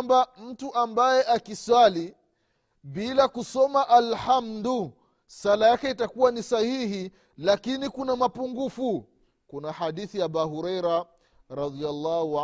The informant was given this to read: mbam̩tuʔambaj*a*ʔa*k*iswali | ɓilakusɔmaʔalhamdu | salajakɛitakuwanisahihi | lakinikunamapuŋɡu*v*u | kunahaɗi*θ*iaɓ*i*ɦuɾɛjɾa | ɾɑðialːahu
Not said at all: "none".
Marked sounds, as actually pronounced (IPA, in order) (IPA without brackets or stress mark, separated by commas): ɛ, k, f, θ, a